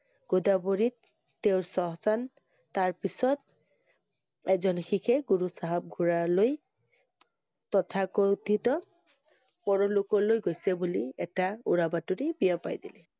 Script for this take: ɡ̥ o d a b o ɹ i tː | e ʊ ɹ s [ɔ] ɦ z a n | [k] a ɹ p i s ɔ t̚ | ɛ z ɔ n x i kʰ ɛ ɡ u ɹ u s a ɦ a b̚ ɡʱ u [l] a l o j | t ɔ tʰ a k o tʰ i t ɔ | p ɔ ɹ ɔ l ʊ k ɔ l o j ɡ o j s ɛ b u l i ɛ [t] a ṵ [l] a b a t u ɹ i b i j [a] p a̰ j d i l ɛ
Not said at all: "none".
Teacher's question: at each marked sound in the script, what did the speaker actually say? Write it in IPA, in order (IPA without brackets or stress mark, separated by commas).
ɔ, t, ɹ, t, ɹ, a